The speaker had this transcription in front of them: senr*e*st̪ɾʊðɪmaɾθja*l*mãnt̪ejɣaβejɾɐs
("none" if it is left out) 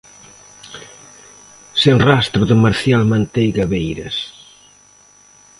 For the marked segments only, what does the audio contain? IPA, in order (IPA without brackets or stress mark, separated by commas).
a, l